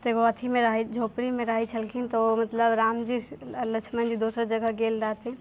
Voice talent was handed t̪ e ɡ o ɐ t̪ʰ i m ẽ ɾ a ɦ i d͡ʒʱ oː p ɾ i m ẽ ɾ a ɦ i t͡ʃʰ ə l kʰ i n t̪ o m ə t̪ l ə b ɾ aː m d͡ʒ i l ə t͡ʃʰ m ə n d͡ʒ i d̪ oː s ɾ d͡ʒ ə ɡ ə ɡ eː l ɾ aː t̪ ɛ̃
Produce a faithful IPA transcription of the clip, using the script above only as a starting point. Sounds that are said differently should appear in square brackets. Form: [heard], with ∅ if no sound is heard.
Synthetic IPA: t̪ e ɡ o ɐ t̪ʰ i m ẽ ɾ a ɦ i d͡ʒʱ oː p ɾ i m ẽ ɾ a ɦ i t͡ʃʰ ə l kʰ i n t̪ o m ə t̪ l ə b ɾ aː m d͡ʒ i l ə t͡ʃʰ m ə n d͡ʒ i d̪ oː s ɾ d͡ʒ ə ɡ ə ɡ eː l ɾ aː t̪ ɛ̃